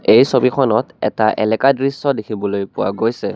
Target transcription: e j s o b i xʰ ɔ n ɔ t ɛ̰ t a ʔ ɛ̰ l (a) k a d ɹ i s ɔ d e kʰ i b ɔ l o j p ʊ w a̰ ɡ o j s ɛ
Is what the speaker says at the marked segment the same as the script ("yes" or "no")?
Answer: no